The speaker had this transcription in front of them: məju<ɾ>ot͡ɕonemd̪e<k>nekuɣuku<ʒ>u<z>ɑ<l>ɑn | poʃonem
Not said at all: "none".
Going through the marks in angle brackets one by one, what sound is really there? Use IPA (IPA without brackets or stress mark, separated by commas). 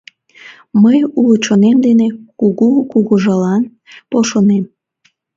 l, none, ɣ, ʒ, l